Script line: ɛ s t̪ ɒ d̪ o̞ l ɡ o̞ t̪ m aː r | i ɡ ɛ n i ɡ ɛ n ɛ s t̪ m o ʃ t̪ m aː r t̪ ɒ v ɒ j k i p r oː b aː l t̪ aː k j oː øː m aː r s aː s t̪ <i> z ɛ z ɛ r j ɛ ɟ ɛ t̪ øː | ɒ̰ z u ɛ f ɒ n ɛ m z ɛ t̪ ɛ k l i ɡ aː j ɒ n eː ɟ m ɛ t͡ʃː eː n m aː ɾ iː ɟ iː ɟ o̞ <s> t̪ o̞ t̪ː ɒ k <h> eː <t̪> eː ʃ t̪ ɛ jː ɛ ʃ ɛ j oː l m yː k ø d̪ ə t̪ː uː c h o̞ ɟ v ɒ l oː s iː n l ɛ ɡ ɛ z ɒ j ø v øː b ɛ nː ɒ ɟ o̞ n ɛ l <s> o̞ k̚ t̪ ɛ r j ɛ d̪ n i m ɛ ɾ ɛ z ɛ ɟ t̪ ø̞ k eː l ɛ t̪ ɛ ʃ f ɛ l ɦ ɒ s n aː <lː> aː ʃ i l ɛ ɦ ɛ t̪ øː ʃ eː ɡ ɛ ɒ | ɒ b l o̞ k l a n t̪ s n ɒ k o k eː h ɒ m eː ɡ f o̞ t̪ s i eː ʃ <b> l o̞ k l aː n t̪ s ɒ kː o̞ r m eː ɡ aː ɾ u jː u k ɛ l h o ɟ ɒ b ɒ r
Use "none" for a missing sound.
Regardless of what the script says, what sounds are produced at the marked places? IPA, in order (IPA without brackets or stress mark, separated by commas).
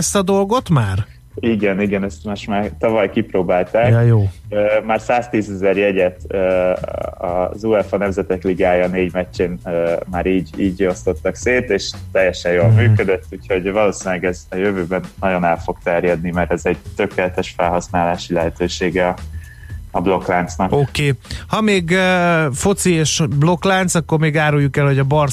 iː, s, s, t̪, f, l, b